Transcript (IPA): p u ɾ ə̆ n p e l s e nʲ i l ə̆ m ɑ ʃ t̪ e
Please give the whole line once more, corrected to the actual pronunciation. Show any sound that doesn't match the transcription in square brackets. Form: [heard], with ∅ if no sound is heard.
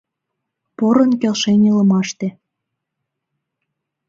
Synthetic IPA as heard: p [o] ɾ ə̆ n [k] e l [ʃ] e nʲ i l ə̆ m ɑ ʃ t̪ e